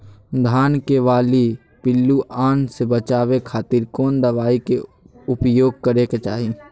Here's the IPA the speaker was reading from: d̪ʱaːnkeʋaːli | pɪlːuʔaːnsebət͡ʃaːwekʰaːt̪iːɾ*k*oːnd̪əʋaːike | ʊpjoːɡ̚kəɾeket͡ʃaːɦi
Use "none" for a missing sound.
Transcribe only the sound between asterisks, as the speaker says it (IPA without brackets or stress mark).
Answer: k